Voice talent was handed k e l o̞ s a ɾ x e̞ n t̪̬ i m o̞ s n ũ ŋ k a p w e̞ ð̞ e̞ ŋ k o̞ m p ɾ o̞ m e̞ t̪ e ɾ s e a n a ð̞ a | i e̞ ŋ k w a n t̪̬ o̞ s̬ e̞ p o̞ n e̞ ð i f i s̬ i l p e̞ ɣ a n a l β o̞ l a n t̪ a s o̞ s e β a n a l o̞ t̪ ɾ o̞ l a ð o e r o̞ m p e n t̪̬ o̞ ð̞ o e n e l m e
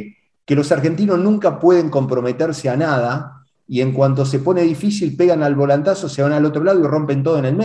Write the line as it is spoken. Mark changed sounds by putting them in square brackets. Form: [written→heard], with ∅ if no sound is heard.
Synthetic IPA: k e l o̞ s a ɾ x e̞ n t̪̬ i [m→n] o̞ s n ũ ŋ k a p w e̞ ð̞ e̞ ŋ k o̞ m p ɾ o̞ m e̞ t̪ e ɾ s e a n a ð̞ a | i e̞ ŋ k w a n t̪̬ o̞ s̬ e̞ p o̞ n e̞ ð i f i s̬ i l p e̞ ɣ a n a l β o̞ l a n t̪ a s o̞ s e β a n a l o̞ t̪ ɾ o̞ l a ð o [e→i] r o̞ m p e n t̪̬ o̞ ð̞ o e n e l m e